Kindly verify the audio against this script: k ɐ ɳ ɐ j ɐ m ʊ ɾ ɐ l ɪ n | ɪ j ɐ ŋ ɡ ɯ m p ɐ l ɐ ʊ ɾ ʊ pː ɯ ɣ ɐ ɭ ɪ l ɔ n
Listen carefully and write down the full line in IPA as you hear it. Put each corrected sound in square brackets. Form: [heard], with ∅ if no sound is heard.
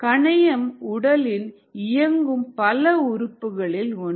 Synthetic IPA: k ɐ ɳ ɐ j ɐ m ʊ [ɽ] ɐ l ɪ n | ɪ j ɐ ŋ ɡ ɯ m p ɐ l ɐ ʊ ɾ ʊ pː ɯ ɣ ɐ ɭ ɪ l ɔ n

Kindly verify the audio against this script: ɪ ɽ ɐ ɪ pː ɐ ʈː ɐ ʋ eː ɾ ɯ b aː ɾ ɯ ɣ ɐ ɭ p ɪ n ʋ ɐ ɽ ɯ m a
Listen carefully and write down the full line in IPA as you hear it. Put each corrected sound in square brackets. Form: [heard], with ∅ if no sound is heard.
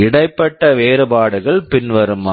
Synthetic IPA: ɪ ɽ ɐ ɪ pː ɐ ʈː ɐ ʋ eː ɾ ɯ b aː [ɽ] ɯ ɣ ɐ ɭ p ɪ n ʋ ɐ [ɾ] ɯ m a

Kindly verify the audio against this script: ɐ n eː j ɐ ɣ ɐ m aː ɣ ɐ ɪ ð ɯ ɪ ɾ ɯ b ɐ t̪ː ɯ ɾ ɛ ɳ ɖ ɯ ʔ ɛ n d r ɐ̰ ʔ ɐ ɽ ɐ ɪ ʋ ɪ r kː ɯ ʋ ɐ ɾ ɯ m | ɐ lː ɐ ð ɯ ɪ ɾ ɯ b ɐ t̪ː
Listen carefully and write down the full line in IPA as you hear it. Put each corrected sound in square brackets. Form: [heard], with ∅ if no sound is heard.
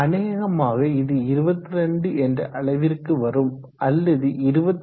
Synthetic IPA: ɐ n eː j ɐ ɣ ɐ m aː ɣ ɐ ɪ ð ɯ ɪ ɾ ɯ b ɐ t̪ː ɯ ɾ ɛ ɳ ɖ ɯ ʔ ɛ n d r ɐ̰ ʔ ɐ [ɭ] ɐ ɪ ʋ ɪ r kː ɯ ʋ ɐ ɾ ɯ m | ɐ lː ɐ ð ɯ ɪ ɾ ɯ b ɐ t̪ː

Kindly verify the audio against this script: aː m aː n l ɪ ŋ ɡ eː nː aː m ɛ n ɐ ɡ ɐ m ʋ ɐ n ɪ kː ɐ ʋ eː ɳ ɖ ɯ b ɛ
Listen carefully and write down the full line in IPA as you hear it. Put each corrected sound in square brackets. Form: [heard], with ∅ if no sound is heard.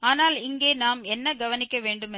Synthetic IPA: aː [n] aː [∅] l ɪ ŋ ɡ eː [n] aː m ɛ [nː] ɐ ɡ ɐ [∅] ʋ ɐ n ɪ kː ɐ ʋ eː ɳ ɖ ɯ [m] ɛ

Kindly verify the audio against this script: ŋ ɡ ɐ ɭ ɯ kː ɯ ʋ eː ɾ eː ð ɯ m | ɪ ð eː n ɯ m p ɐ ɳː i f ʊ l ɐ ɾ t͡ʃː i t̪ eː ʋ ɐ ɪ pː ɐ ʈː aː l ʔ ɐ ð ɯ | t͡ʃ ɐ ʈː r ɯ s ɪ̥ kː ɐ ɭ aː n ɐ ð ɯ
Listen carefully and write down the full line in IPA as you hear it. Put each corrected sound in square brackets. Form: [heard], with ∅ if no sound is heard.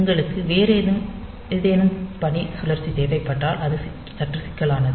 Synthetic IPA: ŋ ɡ ɐ ɭ ɯ kː ɯ ʋ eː ɾ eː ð ɯ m | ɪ ð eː n ɯ m p ɐ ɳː i [s] ʊ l ɐ ɾ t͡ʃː i t̪ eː ʋ ɐ ɪ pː ɐ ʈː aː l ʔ ɐ ð ɯ | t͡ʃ ɐ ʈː r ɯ s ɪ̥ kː ɐ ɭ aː n ɐ ð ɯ

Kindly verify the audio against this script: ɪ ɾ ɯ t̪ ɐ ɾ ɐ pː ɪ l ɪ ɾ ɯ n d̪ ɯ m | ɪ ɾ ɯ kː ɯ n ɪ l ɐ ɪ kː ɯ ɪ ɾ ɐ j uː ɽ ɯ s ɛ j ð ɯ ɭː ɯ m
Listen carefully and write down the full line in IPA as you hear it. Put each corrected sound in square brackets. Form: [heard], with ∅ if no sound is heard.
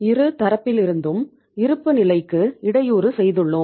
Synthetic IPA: ɪ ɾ ɯ t̪ ɐ ɾ ɐ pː ɪ l ɪ ɾ ɯ n d̪ ɯ m | ɪ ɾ ɯ [pː] ɯ n ɪ l ɐ ɪ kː ɯ ɪ [ɽ] ɐ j uː [ɾ] ɯ s ɛ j ð ɯ ɭː ɯ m

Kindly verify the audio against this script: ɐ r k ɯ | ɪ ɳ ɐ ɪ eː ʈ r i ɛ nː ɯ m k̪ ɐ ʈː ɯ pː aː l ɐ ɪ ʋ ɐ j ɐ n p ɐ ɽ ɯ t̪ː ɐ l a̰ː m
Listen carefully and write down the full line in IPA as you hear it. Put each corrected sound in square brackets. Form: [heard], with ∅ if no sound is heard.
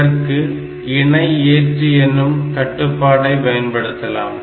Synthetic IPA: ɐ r k ɯ | ɪ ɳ ɐ ɪ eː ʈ r i ɛ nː ɯ m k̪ ɐ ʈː ɯ pː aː [ɽ] ɐ ɪ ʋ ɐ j ɐ n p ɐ ɽ ɯ t̪ː ɐ l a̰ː m

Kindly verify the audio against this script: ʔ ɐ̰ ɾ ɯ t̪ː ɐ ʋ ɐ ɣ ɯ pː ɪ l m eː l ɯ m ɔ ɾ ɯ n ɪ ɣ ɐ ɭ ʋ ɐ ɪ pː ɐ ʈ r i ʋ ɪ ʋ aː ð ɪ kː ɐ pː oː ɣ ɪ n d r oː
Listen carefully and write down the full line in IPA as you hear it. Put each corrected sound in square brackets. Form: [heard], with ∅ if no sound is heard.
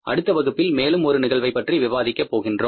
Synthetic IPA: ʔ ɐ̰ [ɽ] ɯ t̪ː ɐ ʋ ɐ ɣ ɯ pː ɪ l m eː l ɯ m ɔ ɾ ɯ n ɪ ɣ ɐ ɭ ʋ ɐ ɪ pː ɐ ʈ r i ʋ ɪ ʋ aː ð ɪ kː ɐ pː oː ɣ ɪ n d r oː

